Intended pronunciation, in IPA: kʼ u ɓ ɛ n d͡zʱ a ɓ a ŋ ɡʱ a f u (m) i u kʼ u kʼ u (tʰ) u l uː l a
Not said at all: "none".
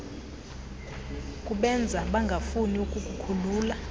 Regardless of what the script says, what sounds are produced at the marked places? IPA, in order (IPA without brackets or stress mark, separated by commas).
n, kʰ